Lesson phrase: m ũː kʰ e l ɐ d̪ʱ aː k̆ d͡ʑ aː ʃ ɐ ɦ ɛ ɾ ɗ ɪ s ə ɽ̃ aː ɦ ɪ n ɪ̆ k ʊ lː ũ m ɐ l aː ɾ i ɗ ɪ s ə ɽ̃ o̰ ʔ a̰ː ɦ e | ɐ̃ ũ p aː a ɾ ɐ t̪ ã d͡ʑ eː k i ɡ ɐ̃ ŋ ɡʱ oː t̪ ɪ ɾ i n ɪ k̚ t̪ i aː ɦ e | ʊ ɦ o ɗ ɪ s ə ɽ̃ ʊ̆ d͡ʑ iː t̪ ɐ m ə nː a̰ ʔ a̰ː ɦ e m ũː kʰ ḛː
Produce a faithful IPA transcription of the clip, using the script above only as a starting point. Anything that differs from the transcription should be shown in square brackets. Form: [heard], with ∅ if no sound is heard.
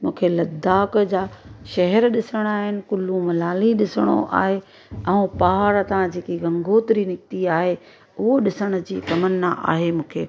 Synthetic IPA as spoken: m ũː kʰ e l ɐ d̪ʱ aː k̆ d͡ʑ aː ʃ ɐ ɦ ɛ ɾ ɗ ɪ s ə ɽ̃ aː ɦ ɪ n ɪ̆ k ʊ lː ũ m ɐ l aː [l] i ɗ ɪ s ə ɽ̃ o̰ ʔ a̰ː ɦ e | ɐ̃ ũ p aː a ɾ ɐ t̪ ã d͡ʑ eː k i ɡ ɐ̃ ŋ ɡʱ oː t̪ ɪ ɾ i n ɪ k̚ t̪ i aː ɦ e | ʊ ɦ o ɗ ɪ s ə ɽ̃ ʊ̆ d͡ʑ iː t̪ ɐ m ə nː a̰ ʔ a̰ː ɦ e m ũː kʰ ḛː